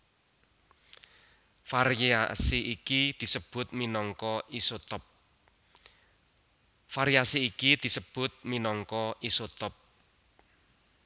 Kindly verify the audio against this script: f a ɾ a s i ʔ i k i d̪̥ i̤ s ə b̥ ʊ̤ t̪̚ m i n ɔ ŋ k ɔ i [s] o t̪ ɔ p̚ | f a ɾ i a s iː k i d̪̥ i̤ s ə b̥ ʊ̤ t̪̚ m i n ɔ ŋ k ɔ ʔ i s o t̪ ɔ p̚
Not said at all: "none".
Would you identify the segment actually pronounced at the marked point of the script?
s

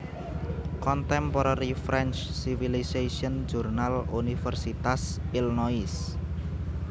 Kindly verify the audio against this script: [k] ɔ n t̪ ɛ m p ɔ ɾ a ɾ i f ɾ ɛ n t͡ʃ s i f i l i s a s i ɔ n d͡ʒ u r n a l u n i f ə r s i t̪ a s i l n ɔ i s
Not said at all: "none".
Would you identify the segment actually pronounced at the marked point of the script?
k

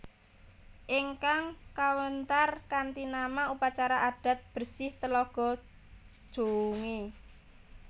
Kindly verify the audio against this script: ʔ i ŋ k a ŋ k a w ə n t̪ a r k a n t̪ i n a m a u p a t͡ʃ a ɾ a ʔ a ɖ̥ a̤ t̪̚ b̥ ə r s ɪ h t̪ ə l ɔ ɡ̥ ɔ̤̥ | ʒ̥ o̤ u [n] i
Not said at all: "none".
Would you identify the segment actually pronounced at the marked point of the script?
ŋ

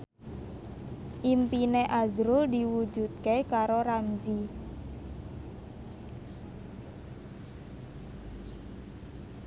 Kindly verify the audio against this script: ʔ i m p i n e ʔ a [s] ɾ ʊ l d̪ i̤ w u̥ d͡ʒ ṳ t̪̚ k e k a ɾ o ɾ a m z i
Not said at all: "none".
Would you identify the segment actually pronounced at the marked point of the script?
z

